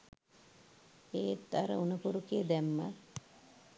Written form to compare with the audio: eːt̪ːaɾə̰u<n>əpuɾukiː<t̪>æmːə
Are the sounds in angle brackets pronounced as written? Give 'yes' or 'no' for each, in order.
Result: yes, no

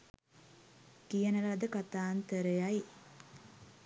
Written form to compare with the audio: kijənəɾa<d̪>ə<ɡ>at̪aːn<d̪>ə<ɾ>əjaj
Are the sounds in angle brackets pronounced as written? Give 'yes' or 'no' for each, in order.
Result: yes, no, no, yes

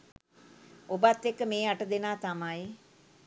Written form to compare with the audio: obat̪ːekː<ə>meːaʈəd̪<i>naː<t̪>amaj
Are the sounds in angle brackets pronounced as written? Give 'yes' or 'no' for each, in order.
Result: yes, no, yes

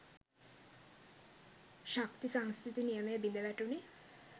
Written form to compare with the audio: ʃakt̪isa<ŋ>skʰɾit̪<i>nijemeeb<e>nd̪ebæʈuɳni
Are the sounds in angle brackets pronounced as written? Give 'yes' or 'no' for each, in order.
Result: yes, yes, no

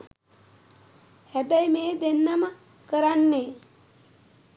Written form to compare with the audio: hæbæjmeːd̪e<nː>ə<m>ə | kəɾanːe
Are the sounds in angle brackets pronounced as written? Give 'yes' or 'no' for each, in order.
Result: yes, yes

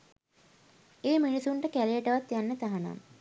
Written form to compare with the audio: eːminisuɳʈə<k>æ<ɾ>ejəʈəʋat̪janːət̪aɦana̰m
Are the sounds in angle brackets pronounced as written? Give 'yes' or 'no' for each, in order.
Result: yes, no

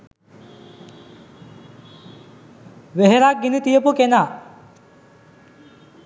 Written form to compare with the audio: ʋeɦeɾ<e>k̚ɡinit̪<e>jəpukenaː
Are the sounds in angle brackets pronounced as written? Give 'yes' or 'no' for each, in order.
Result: no, no

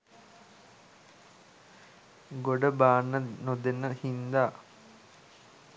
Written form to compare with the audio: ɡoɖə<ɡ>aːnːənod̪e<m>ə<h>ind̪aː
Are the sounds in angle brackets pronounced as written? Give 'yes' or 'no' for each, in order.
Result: no, no, yes

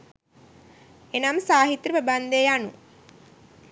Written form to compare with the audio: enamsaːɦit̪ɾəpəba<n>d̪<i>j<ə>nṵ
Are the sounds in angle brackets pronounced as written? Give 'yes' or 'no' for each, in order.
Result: yes, no, no

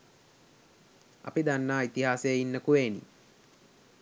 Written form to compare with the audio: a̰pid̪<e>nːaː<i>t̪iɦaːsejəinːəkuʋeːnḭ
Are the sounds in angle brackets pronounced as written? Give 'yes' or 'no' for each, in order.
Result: no, yes

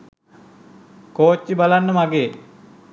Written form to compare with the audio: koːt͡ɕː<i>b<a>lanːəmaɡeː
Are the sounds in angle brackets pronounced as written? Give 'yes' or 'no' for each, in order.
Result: yes, yes

